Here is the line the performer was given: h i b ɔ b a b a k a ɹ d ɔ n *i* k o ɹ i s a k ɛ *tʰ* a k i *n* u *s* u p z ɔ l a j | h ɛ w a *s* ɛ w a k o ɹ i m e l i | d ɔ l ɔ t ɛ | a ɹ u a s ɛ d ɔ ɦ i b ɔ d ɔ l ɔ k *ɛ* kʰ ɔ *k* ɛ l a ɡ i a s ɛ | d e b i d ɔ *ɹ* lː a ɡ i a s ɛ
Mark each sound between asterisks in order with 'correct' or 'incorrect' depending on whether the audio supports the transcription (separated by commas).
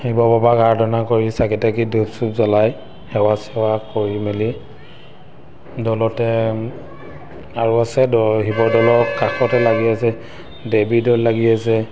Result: incorrect, incorrect, incorrect, correct, correct, incorrect, incorrect, incorrect